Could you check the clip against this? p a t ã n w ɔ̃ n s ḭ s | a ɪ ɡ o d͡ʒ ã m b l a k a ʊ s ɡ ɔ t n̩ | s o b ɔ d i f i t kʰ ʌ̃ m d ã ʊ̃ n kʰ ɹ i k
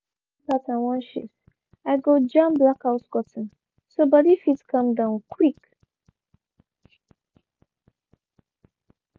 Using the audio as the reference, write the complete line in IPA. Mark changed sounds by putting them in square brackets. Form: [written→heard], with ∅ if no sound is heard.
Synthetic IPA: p a t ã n w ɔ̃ n [s→ʃ] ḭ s | a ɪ ɡ o d͡ʒ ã m b l a k a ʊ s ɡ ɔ t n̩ | s o b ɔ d i f i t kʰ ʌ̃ m d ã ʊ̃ n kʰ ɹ i k